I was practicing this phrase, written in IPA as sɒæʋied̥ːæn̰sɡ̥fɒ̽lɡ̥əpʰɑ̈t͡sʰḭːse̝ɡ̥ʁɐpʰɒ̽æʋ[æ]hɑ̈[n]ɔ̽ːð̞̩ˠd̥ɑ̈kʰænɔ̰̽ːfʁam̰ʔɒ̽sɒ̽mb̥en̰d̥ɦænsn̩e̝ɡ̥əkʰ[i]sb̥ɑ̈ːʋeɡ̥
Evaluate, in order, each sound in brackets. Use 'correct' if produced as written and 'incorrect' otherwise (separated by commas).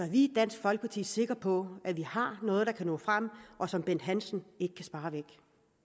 incorrect, correct, incorrect